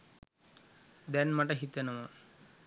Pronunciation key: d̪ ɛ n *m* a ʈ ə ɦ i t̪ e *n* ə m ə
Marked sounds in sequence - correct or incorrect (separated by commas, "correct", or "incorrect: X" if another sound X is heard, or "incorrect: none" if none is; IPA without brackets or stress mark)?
correct, correct